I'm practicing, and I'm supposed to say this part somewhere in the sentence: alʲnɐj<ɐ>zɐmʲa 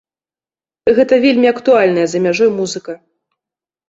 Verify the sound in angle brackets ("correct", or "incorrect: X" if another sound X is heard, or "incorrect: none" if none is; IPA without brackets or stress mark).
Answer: correct